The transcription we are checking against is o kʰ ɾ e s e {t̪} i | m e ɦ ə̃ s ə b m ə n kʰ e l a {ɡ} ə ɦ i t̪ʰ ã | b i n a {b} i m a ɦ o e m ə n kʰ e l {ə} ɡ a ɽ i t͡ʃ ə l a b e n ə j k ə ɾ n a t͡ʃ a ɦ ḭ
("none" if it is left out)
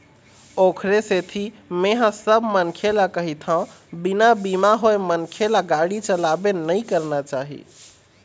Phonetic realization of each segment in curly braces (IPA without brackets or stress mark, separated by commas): t̪ʰ, k, b, a